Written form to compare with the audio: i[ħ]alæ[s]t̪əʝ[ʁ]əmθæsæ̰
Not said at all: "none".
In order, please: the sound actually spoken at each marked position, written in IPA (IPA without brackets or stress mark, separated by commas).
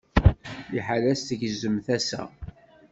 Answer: ħ, s, z